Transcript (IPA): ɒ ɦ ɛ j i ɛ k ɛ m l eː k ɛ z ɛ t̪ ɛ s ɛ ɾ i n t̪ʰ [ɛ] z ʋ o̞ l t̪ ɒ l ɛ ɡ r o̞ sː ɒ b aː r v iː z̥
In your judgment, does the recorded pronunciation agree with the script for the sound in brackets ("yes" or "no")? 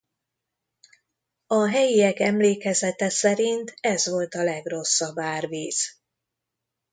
yes